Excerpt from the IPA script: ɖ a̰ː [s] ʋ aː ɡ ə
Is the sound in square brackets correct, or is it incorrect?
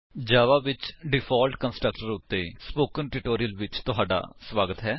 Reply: correct